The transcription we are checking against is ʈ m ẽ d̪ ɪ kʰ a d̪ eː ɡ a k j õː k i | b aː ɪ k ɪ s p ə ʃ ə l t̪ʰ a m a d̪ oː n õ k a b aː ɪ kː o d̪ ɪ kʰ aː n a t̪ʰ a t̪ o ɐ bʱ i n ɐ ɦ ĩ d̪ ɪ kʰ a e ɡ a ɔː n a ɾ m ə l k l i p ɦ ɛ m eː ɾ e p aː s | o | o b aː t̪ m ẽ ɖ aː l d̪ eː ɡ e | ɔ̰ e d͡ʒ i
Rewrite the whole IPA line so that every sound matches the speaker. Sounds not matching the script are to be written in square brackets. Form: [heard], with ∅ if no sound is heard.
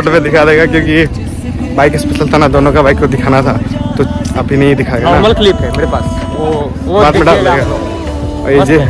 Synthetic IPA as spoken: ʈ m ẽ d̪ ɪ kʰ a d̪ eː ɡ a k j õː k i | b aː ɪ k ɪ s p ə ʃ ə l t̪ʰ a [n] a d̪ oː n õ k a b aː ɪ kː o d̪ ɪ kʰ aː n a t̪ʰ a t̪ o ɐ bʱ i n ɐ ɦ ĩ d̪ ɪ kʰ a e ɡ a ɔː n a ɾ m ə l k l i p ɦ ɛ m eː ɾ e p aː s | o | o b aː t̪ m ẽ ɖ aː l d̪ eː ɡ [a] | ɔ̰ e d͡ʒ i